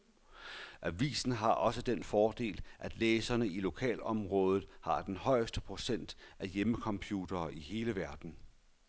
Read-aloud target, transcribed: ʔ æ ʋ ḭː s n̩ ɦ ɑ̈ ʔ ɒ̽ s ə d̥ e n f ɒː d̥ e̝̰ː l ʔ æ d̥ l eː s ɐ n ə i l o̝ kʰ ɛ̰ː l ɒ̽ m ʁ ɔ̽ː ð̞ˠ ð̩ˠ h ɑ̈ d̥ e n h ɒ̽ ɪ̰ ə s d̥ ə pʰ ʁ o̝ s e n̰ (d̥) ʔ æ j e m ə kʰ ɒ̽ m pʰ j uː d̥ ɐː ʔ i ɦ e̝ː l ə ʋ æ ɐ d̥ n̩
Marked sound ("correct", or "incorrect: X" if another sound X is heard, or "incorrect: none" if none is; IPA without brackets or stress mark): correct